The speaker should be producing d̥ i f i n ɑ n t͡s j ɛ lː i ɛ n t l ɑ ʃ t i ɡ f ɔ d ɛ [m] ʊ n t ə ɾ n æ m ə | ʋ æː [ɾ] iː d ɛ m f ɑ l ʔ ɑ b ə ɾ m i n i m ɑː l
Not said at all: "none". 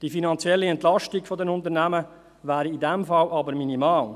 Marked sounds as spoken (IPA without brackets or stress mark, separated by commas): n, ɾ